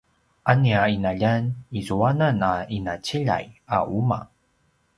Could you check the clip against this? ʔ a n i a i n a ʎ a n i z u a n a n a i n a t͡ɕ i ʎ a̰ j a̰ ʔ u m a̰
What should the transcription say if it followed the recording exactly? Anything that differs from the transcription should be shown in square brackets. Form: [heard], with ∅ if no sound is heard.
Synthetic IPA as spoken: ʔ a n i a i n a ʎ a n i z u a n a n a i n a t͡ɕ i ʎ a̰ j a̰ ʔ u m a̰